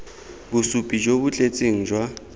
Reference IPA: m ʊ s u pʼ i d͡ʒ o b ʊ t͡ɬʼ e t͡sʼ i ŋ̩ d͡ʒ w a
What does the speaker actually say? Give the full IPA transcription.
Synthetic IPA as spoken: b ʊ s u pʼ i d͡ʒ o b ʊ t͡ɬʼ e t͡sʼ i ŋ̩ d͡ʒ w a